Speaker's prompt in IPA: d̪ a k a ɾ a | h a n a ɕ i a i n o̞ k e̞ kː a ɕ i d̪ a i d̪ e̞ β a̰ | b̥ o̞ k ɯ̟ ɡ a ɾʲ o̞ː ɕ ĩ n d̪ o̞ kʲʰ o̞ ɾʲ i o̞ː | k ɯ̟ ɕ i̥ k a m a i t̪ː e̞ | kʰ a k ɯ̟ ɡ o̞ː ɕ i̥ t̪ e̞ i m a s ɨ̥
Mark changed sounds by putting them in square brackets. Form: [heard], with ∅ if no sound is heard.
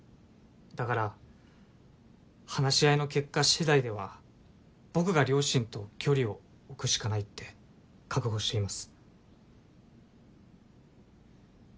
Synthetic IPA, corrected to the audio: d̪ a k a ɾ a | h a n a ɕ i a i n o̞ k e̞ kː a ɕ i d̪ a i d̪ e̞ β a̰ | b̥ o̞ k ɯ̟ ɡ a ɾʲ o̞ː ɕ ĩ n [t̪] o̞ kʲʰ o̞ ɾʲ i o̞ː | k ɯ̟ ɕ i̥ k a [n] a i t̪ː e̞ | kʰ a k ɯ̟ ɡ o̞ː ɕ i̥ t̪ e̞ i m a s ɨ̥